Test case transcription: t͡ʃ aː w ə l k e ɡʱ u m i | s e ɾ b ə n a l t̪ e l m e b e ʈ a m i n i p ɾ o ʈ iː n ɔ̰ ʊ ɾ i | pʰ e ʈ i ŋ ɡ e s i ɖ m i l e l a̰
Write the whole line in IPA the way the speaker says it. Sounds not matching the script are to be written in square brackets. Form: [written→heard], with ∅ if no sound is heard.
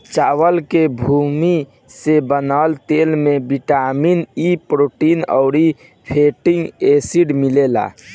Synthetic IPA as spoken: t͡ʃ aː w ə l k e [ɡʱ→bʱ] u m i | s e [ɾ→∅] b ə n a l t̪ e l m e b [e→i] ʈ a m i n i p ɾ o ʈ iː n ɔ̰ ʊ ɾ i | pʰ e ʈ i ŋ ɡ e s i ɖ m i l e l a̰